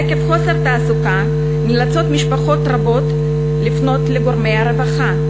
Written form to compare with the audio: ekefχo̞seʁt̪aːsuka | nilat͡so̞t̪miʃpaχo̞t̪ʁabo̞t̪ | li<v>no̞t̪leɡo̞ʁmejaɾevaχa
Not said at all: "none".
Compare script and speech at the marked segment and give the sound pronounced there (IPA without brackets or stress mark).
f